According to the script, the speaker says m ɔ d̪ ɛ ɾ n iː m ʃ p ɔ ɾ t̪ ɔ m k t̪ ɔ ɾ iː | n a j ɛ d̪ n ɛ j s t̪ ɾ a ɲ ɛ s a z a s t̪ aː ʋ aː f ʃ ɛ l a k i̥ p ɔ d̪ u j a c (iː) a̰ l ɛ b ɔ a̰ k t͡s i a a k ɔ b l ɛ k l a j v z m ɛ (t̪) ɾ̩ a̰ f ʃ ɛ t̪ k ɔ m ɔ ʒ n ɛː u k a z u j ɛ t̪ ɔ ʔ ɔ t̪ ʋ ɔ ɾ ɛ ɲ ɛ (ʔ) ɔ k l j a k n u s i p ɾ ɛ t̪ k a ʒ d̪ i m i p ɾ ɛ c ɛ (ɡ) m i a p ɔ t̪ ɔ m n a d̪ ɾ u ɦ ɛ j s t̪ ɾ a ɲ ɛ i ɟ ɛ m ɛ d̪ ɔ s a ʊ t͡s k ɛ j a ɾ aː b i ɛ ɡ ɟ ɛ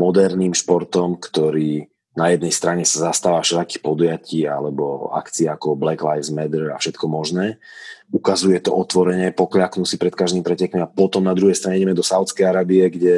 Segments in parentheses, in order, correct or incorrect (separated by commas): correct, incorrect, incorrect, incorrect